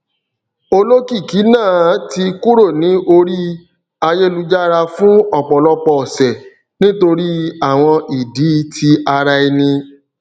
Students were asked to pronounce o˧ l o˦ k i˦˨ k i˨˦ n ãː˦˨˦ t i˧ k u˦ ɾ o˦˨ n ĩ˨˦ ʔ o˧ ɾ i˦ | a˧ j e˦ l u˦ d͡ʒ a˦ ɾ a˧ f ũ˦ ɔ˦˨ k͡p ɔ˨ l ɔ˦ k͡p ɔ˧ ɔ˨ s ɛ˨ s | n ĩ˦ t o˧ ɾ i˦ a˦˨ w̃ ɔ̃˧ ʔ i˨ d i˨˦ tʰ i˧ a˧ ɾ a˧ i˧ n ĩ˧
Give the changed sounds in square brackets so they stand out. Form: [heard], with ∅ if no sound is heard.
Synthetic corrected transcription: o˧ l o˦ k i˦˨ k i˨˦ n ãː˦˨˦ t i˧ k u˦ ɾ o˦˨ n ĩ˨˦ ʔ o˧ ɾ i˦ | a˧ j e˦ l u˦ d͡ʒ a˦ ɾ a˧ f ũ˦ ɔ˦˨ k͡p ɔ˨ l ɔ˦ k͡p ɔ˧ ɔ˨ s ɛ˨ [∅] | n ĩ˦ t o˧ ɾ i˦ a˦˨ w̃ ɔ̃˧ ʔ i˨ d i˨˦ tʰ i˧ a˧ ɾ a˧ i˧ n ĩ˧